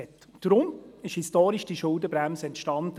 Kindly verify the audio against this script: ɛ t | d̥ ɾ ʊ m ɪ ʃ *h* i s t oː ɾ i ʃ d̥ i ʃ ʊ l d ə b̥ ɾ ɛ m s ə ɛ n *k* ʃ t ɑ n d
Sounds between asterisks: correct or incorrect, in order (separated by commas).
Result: correct, incorrect